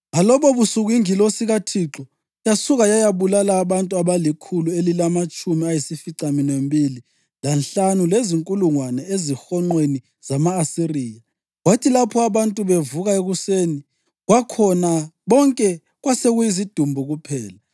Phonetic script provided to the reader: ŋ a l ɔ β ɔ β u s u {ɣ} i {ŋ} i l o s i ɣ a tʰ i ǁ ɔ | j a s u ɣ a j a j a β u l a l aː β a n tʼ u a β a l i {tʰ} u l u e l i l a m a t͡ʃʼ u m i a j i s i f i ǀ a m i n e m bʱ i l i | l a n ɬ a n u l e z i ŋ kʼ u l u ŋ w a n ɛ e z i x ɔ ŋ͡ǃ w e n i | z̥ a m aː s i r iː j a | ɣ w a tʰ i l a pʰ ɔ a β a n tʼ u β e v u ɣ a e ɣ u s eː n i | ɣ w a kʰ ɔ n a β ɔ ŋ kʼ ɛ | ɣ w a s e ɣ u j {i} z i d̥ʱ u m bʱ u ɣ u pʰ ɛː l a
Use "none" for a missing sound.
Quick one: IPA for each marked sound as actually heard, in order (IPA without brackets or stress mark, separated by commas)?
ɣ, ŋ, kʰ, i